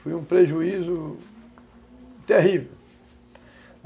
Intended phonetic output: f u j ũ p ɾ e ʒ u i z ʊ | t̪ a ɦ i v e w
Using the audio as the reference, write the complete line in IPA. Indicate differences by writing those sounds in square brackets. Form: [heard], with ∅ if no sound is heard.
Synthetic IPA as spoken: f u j ũ p ɾ e ʒ u i z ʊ | t̪ [e] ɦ i v e w

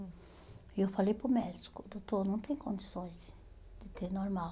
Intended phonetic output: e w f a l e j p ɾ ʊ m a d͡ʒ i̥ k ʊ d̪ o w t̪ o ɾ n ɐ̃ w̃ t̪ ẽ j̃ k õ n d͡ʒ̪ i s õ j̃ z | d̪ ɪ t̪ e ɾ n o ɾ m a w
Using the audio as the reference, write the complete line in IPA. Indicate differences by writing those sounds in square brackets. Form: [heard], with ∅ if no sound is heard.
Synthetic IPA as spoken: e w f a l e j p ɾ ʊ m [ɛ] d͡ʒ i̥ k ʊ d̪ o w t̪ o ɾ n ɐ̃ w̃ t̪ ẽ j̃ k õ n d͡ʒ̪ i s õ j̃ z | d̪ ɪ t̪ e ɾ n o ɾ m a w

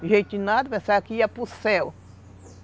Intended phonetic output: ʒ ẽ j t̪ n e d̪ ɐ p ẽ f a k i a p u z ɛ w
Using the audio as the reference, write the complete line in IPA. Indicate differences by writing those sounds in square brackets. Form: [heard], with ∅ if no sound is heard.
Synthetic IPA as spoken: ʒ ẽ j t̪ n [a] d̪ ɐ p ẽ [s] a k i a p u [s] ɛ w

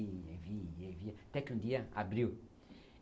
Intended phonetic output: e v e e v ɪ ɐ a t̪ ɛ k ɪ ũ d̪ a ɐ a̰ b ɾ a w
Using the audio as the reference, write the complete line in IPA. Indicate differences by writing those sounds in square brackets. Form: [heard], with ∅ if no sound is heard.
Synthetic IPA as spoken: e v [i] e v [i] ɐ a t̪ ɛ k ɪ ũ d̪ [i] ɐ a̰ b ɾ [i] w

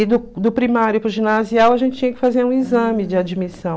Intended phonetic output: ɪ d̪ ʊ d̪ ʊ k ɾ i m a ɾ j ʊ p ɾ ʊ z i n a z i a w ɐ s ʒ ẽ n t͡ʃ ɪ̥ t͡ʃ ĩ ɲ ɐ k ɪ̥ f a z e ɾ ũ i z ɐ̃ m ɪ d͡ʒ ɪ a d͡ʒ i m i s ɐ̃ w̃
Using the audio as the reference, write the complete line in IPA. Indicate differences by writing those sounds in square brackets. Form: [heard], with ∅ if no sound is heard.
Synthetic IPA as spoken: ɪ d̪ ʊ d̪ ʊ [p] ɾ i m a ɾ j ʊ p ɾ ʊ [ʒ] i n a z i a w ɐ [∅] ʒ ẽ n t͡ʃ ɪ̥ t͡ʃ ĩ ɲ ɐ k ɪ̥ f a z e ɾ ũ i z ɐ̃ m ɪ d͡ʒ ɪ a d͡ʒ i m i s ɐ̃ w̃

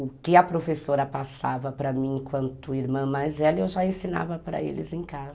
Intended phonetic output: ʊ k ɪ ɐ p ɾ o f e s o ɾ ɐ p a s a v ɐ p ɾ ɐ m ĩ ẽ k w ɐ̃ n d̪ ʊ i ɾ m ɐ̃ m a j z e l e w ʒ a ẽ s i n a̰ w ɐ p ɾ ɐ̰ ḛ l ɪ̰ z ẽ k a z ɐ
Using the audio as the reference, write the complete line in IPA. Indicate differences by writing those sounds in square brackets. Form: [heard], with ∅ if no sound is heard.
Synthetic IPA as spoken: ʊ k ɪ ɐ p ɾ o f e s o ɾ ɐ p a s a v ɐ p ɾ ɐ m ĩ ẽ k w ɐ̃ n [t̪] ʊ i ɾ m ɐ̃ m a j z [ɛ] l e w ʒ a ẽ s i n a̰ [v] ɐ p ɾ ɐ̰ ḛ l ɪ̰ z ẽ k a z ɐ

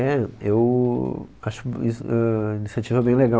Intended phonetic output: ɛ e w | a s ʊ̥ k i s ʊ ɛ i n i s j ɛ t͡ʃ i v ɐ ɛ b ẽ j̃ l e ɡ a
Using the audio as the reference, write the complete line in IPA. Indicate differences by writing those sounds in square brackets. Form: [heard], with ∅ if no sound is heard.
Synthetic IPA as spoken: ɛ e w | a [ʃ] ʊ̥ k i s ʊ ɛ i n i s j [a] t͡ʃ i v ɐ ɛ b ẽ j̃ l e ɡ a

